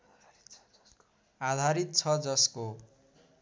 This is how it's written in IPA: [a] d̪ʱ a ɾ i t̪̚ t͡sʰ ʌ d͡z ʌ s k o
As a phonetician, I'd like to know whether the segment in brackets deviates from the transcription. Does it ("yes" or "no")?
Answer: no